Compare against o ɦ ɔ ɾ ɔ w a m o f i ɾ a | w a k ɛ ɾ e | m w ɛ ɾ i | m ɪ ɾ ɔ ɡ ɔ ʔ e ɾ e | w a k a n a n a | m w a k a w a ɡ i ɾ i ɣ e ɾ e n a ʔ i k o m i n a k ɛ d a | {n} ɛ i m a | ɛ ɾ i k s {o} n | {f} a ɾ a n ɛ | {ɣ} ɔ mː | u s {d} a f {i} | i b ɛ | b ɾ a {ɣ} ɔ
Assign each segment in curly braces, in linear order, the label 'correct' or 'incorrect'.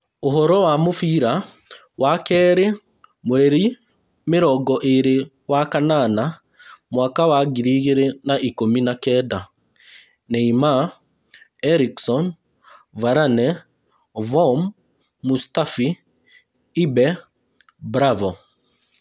correct, incorrect: ɔ, incorrect: v, incorrect: v, incorrect: t, correct, incorrect: v

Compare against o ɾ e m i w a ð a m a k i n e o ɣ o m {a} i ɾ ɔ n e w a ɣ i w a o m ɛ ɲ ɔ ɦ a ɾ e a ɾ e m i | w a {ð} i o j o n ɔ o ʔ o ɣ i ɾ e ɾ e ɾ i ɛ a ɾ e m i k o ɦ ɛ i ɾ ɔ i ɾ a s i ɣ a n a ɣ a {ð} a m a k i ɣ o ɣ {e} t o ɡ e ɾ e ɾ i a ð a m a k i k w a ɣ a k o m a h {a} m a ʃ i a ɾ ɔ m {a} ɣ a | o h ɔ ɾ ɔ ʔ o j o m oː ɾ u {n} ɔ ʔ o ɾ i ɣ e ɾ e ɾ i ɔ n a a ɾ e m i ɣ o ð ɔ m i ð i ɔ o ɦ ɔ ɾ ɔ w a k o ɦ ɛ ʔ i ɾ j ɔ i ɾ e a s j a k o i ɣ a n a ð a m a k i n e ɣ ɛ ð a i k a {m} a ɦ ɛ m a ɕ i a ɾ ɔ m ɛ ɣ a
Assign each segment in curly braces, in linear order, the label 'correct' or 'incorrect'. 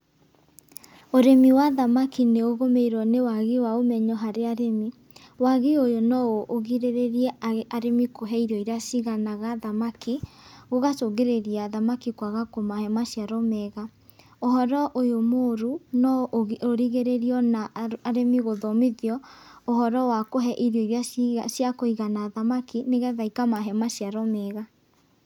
incorrect: e, incorrect: ɣ, correct, incorrect: a, incorrect: ɛ, incorrect: ɛ, correct, correct

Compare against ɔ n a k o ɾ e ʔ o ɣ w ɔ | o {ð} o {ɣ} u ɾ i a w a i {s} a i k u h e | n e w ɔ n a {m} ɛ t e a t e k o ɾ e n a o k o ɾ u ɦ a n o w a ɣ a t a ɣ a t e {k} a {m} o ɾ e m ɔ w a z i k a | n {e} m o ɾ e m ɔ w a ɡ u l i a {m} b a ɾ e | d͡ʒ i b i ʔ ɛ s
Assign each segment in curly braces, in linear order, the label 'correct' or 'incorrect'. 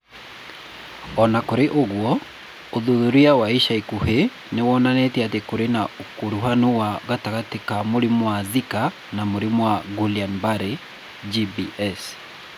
correct, incorrect: ð, incorrect: ʃ, incorrect: n, correct, correct, incorrect: a, incorrect: n

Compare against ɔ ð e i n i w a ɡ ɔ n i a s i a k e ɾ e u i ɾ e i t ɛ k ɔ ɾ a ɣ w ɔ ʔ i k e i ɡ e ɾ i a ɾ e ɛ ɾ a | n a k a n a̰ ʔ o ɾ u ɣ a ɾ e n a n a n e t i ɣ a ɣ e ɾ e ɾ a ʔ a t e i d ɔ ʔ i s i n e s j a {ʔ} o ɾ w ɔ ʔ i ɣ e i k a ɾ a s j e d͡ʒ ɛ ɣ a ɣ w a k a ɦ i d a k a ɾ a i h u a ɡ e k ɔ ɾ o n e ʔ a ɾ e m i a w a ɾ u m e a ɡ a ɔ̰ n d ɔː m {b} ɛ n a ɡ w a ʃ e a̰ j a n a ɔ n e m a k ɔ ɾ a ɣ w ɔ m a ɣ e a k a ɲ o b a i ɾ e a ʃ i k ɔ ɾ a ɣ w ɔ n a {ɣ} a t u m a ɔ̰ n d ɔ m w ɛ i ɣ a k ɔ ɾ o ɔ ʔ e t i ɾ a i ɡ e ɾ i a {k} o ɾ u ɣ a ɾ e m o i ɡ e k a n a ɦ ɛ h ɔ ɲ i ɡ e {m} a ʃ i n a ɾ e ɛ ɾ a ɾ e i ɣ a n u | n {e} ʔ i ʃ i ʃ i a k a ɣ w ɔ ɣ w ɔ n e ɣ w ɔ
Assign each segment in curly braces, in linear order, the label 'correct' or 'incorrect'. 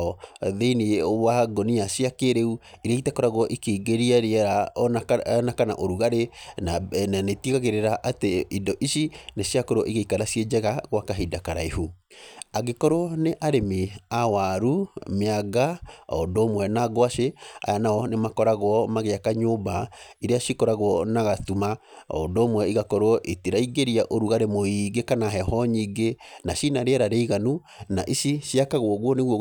incorrect: k, incorrect: w, correct, incorrect: ʔ, incorrect: n, incorrect: a

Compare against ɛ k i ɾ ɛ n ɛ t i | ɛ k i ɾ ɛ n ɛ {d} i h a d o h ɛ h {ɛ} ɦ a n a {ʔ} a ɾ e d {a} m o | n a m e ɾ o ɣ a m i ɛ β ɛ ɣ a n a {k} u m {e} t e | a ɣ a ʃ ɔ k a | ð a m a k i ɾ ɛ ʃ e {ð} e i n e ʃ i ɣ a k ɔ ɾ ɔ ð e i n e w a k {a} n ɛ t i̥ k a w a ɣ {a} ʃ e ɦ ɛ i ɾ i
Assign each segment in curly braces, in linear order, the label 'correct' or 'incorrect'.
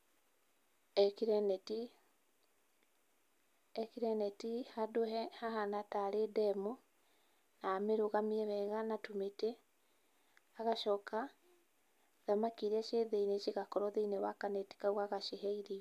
incorrect: t, incorrect: a, incorrect: t, incorrect: ɛ, incorrect: t, correct, correct, correct, correct

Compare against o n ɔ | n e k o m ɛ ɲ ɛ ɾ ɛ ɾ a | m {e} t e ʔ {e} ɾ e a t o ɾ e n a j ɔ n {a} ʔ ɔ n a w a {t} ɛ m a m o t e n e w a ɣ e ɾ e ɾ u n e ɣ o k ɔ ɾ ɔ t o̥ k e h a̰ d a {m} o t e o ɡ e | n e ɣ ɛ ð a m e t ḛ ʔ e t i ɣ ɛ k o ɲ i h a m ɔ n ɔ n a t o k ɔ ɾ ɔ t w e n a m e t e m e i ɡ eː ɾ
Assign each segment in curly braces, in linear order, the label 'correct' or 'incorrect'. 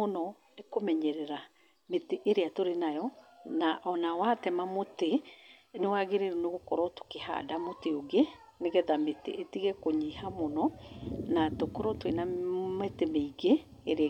correct, correct, correct, correct, correct

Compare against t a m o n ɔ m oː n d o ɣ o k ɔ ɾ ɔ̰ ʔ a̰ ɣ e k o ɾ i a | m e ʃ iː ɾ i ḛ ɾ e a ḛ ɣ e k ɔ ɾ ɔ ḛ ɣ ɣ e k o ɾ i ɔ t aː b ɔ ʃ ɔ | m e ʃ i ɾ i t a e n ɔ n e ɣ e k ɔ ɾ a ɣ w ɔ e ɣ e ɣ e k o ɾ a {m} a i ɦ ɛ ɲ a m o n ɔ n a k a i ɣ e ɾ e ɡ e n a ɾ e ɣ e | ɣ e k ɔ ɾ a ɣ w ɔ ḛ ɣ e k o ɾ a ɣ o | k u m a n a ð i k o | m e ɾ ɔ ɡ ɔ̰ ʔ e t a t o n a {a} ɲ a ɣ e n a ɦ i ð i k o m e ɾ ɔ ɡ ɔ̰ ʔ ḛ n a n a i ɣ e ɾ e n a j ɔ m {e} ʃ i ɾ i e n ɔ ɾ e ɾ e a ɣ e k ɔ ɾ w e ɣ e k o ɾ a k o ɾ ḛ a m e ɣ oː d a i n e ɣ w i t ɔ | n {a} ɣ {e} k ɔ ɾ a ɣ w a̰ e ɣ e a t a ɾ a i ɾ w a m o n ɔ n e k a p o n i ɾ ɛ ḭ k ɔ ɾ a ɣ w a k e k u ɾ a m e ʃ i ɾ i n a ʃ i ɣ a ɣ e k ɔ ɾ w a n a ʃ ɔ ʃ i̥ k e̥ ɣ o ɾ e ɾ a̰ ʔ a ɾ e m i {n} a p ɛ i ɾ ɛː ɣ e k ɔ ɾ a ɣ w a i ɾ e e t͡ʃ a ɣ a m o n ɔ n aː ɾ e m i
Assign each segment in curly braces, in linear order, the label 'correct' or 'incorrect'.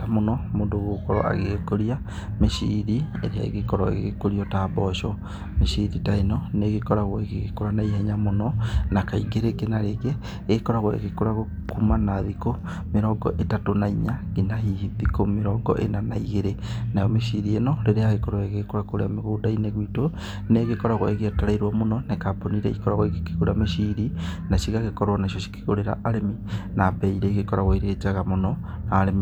incorrect: n, incorrect: i, correct, incorrect: e, correct, correct

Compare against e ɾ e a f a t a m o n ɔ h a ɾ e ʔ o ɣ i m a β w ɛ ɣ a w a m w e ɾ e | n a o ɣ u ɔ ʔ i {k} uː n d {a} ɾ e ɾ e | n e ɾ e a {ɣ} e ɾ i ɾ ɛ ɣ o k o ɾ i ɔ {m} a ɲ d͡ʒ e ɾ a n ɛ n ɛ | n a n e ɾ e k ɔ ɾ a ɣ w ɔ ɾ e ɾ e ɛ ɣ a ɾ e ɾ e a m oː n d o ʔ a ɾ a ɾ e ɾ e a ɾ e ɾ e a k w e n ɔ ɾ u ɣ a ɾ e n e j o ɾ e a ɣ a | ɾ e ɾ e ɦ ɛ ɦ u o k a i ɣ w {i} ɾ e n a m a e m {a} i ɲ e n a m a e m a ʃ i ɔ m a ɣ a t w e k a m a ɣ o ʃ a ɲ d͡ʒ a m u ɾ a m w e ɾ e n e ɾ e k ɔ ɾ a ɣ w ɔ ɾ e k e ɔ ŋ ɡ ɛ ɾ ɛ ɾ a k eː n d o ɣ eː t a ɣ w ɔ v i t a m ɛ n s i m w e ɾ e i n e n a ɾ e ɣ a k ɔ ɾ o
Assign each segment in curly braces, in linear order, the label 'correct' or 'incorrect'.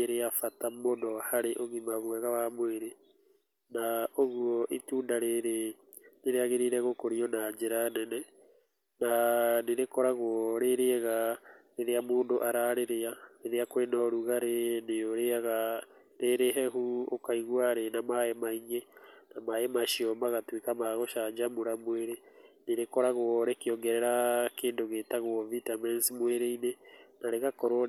incorrect: t, correct, correct, incorrect: n, incorrect: a, correct

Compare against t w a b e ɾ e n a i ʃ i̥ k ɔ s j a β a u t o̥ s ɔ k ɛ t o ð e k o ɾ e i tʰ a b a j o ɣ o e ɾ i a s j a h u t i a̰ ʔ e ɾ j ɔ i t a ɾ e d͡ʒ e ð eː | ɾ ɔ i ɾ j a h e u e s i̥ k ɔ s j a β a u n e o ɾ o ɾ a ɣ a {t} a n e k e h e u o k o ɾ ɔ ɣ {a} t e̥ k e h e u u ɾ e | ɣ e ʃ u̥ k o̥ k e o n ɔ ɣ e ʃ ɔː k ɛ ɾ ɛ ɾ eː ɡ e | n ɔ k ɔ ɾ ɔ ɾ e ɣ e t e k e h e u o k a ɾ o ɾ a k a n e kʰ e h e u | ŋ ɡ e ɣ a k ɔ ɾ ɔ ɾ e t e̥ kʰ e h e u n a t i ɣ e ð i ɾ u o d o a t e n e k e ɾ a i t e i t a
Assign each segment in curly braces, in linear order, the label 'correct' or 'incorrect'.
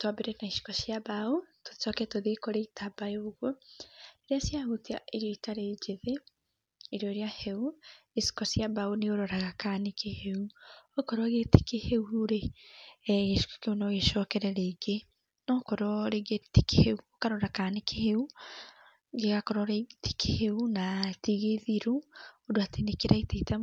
incorrect: k, incorrect: e

